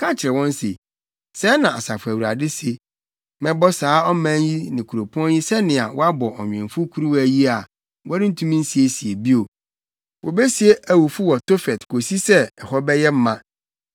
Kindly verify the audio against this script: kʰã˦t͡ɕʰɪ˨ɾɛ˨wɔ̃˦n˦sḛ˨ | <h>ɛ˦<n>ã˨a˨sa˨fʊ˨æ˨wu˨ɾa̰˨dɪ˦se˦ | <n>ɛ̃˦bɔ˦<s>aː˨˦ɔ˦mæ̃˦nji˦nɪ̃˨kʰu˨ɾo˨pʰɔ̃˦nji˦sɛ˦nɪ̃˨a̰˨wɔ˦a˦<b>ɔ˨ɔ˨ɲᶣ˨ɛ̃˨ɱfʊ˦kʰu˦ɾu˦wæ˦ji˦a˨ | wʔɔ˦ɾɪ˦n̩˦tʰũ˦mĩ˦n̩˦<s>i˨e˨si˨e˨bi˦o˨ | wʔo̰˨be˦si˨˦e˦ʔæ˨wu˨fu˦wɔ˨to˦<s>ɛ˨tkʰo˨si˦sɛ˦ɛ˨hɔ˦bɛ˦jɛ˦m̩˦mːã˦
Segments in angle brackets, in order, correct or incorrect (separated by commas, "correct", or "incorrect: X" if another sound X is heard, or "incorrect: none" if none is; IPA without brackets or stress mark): incorrect: s, correct, incorrect: m, correct, correct, correct, incorrect: f